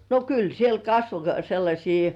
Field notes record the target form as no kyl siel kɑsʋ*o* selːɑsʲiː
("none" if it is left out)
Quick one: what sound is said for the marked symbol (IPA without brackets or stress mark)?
o